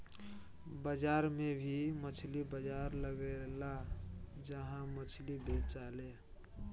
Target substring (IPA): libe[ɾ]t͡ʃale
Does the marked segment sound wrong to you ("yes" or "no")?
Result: yes